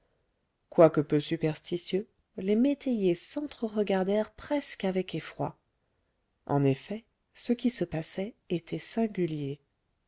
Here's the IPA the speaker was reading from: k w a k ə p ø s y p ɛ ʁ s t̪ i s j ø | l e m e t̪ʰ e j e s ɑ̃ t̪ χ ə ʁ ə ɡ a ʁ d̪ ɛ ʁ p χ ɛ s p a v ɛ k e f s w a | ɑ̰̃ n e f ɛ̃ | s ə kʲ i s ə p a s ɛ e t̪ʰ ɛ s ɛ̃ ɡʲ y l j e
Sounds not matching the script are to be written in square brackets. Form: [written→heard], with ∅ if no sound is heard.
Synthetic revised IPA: k w a k ə p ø s y p ɛ ʁ s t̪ i s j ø | l e m e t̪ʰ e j e s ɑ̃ t̪ χ ə ʁ ə ɡ a ʁ d̪ ɛ ʁ p χ ɛ s [p→k] a v ɛ k e f [s→χ] w a | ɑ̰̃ n e f [ɛ̃→ɛ] | s ə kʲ i s ə p a s ɛ e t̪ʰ ɛ s ɛ̃ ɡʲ y l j e